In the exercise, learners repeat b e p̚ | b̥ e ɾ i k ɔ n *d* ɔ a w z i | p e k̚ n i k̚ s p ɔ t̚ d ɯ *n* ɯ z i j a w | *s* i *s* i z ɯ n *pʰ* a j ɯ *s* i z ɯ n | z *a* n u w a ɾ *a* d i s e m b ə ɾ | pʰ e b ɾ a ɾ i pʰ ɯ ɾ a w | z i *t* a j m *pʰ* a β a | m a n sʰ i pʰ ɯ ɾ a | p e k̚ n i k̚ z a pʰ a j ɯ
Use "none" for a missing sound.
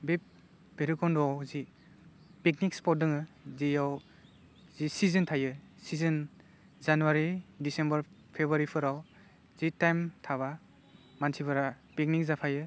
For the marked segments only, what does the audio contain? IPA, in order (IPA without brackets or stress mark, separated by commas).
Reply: d, ŋ, z, s, tʰ, s, a, i, t, tʰ